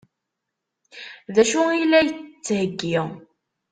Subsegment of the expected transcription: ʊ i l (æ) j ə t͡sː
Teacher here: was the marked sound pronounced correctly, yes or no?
yes